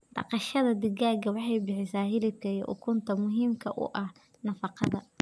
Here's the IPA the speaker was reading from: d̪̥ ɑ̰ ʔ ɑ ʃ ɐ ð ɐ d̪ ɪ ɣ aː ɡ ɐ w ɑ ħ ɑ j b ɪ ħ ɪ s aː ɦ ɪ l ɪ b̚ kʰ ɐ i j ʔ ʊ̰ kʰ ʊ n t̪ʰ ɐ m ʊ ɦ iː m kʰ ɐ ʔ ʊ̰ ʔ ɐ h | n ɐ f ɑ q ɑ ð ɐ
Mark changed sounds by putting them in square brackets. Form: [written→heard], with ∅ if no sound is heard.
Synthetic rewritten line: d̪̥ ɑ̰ [ʔ→q] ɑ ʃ ɐ ð ɐ d̪ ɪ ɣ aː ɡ ɐ w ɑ ħ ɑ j b ɪ ħ ɪ s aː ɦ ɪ l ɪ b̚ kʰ ɐ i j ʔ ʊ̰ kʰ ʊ n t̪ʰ ɐ m ʊ ɦ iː m kʰ ɐ ʔ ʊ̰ ʔ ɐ h | n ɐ f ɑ q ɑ ð ɐ